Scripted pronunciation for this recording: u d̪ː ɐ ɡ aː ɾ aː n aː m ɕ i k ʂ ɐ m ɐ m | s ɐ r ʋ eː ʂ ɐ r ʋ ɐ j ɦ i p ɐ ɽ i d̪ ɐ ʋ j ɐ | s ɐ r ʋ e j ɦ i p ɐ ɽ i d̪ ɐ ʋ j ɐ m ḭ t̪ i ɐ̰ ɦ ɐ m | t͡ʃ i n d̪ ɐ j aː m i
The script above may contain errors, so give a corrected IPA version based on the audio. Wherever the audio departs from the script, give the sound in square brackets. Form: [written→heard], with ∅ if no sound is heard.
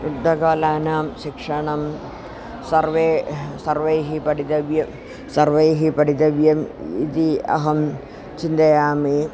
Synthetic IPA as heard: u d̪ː ɐ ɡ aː [ɾ→l] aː n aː m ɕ i k ʂ ɐ [m→ɳ] ɐ m | s ɐ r ʋ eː [ʂ→s] ɐ r ʋ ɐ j ɦ i p ɐ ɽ i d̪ ɐ ʋ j ɐ | s ɐ r ʋ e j ɦ i p ɐ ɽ i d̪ ɐ ʋ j ɐ m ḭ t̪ i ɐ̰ ɦ ɐ m | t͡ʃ i n d̪ ɐ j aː m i

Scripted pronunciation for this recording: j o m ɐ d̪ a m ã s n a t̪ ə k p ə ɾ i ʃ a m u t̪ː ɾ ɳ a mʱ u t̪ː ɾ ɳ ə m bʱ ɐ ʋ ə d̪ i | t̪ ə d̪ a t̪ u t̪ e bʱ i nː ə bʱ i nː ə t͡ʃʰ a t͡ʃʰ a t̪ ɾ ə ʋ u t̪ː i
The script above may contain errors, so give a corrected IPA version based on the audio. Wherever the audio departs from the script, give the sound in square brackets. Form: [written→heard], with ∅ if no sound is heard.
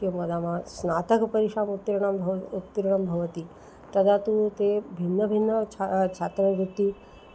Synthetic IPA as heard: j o m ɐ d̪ a m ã s n a t̪ ə k p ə ɾ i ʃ a m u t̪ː ɾ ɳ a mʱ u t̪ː ɾ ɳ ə m bʱ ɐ ʋ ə [d̪→t̪] i | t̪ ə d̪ a t̪ u t̪ e bʱ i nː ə bʱ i nː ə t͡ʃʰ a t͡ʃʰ a t̪ ɾ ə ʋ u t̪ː i

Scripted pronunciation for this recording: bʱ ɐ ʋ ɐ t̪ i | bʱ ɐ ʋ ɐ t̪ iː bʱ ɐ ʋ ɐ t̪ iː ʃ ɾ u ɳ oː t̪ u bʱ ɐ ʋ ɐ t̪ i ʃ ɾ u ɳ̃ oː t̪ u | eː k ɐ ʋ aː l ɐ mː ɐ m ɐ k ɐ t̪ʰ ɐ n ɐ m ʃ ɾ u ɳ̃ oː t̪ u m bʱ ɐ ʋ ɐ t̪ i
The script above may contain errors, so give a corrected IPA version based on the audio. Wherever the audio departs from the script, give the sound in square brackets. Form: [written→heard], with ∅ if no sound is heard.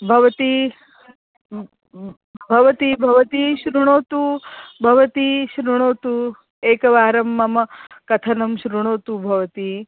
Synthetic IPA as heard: bʱ ɐ ʋ ɐ t̪ i | bʱ ɐ ʋ ɐ t̪ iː bʱ ɐ ʋ ɐ t̪ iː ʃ ɾ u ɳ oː t̪ u bʱ ɐ ʋ ɐ t̪ i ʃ ɾ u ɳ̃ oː t̪ u | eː k ɐ ʋ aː [l→ɾ] ɐ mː ɐ m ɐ k ɐ t̪ʰ ɐ n ɐ m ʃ ɾ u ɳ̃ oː t̪ u [m→∅] bʱ ɐ ʋ ɐ t̪ i

